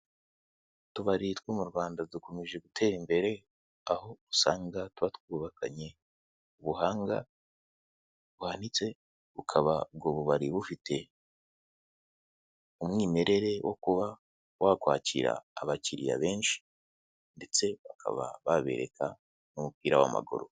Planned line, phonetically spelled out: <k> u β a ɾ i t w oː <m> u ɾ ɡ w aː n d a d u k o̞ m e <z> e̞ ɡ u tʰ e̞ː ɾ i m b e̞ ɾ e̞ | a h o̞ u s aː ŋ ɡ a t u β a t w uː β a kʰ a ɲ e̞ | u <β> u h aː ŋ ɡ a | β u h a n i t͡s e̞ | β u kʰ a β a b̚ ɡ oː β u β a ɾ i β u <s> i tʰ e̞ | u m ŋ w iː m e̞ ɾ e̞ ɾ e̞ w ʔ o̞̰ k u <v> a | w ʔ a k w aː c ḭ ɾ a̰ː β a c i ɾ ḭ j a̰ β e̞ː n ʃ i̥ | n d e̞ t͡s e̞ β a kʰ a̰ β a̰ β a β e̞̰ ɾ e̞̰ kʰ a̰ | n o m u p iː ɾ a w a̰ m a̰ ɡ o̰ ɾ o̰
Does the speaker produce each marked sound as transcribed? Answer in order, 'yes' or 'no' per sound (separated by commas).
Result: no, yes, no, yes, no, no